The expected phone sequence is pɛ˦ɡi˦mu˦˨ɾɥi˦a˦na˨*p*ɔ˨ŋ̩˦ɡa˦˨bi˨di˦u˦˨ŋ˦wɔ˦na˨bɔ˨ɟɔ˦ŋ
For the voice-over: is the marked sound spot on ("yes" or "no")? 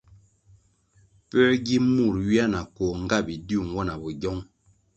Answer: no